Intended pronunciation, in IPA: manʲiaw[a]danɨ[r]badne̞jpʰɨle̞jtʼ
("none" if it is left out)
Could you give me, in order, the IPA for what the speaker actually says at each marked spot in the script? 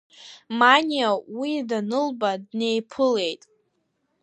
i, l

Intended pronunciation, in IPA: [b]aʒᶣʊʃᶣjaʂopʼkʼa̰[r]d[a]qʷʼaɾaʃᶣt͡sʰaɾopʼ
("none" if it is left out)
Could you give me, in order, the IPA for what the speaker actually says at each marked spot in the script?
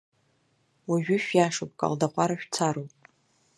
w, l, a

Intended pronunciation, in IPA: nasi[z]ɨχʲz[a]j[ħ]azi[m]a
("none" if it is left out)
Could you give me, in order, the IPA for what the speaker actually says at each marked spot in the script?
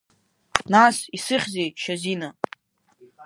s, e, ʃ, n

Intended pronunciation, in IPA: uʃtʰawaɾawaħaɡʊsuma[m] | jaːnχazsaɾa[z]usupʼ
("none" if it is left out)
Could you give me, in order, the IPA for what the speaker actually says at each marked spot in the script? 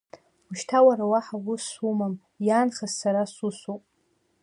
m, s

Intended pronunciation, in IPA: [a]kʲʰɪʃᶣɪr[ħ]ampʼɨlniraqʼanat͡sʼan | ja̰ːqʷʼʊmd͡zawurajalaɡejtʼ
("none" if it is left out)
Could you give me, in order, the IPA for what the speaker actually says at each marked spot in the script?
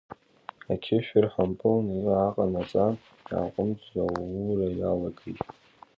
a, ħ

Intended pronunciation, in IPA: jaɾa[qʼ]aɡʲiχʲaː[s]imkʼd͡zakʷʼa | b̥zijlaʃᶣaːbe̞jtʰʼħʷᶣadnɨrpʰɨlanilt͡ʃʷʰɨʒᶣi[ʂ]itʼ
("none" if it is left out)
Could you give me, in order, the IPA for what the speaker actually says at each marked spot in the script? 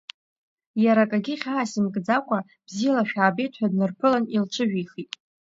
kʼ, s, χ

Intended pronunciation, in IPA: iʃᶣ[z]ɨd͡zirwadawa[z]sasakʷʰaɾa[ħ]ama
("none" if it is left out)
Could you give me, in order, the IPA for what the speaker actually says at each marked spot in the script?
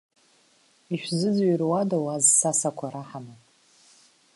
z, z, ħ

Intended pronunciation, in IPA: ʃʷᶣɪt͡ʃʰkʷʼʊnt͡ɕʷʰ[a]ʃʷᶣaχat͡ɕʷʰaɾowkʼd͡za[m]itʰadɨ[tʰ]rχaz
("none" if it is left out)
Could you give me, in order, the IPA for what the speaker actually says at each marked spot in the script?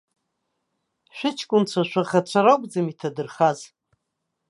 a, m, none

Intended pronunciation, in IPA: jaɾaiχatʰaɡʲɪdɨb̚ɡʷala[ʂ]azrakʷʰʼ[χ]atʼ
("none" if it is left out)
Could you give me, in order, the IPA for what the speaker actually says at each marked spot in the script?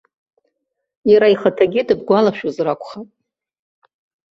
ʃ, χ

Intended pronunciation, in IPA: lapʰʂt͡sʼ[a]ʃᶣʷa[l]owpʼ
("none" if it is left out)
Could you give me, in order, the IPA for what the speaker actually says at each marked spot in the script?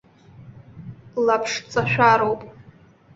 a, ɾ

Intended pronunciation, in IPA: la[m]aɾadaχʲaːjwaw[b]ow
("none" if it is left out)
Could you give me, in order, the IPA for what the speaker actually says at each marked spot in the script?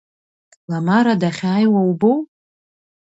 m, b

